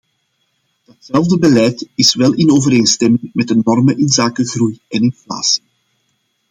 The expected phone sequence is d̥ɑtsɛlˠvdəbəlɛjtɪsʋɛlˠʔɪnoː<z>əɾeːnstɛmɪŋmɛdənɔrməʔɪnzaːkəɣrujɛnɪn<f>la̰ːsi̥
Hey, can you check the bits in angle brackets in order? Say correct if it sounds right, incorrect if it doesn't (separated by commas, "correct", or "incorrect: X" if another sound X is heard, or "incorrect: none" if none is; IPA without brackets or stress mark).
incorrect: v, correct